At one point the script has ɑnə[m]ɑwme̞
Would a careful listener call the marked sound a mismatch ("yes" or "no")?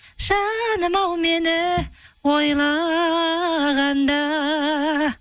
no